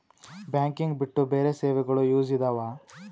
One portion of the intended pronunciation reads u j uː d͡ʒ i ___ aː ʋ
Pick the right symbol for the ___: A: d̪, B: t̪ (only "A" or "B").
A